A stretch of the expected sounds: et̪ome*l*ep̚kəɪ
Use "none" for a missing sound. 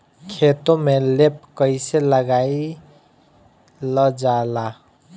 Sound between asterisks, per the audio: l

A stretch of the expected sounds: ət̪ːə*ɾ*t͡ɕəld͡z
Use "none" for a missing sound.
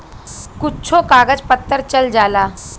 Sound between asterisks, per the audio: ɾ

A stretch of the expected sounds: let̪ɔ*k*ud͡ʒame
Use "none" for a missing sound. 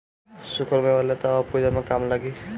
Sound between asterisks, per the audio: p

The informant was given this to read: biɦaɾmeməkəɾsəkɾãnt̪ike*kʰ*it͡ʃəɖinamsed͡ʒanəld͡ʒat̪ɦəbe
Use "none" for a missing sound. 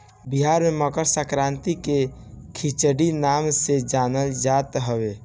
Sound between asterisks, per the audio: kʰ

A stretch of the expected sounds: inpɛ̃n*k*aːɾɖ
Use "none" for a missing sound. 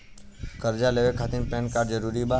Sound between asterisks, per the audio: k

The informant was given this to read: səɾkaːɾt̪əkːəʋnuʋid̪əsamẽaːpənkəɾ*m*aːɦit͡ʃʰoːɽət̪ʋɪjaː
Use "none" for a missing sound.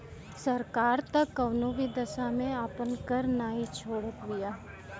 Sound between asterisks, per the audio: n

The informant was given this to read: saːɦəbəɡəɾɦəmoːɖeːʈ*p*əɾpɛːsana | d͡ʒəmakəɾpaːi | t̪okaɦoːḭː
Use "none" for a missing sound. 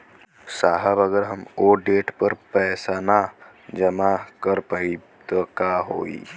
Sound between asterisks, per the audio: p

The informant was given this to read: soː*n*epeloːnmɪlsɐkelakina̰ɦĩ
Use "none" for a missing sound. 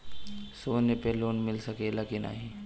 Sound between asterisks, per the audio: n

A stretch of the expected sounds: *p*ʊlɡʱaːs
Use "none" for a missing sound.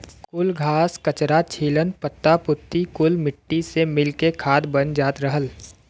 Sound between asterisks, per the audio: k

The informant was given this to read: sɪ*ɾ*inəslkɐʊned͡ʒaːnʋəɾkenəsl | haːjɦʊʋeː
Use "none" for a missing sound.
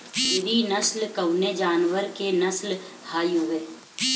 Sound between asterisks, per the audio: ɾ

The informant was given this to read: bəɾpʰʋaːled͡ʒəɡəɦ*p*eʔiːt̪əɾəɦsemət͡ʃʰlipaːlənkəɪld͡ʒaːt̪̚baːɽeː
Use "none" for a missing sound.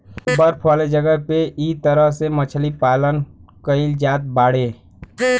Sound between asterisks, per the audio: p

